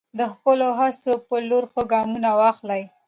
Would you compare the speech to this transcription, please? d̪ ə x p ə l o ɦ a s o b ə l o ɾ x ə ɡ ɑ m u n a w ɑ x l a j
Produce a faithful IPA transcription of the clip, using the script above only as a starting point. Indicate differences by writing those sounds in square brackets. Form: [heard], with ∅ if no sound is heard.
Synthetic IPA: d̪ ə x p ə l o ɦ a s o [p] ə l o ɾ x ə ɡ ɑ m u n a w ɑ x l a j